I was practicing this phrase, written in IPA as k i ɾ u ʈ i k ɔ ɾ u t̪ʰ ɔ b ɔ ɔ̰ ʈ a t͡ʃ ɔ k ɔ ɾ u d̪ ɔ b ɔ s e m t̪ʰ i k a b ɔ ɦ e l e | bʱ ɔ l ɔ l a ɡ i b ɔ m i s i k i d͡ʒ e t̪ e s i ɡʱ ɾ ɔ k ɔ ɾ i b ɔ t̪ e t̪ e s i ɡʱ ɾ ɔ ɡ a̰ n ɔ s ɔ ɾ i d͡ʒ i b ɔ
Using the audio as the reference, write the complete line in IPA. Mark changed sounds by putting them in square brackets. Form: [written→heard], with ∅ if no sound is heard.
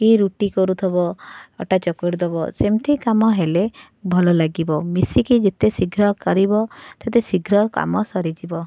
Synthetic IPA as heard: k i ɾ u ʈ i k ɔ ɾ u t̪ʰ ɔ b ɔ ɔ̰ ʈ a t͡ʃ ɔ k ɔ ɾ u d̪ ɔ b ɔ s e m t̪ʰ i k a [b→m] ɔ ɦ e l e | bʱ ɔ l ɔ l a ɡ i b ɔ m i s i k i d͡ʒ e t̪ e s i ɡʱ ɾ ɔ k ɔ ɾ i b ɔ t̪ e t̪ e s i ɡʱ ɾ ɔ [ɡ→k] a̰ [n→m] ɔ s ɔ ɾ i d͡ʒ i b ɔ